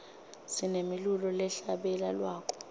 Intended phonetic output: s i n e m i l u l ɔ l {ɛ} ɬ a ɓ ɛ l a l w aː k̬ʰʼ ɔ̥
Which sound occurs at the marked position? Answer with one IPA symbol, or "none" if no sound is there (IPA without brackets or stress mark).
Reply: ɛ